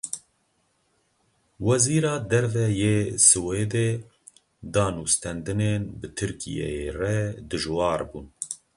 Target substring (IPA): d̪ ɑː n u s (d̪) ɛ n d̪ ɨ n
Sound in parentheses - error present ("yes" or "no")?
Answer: yes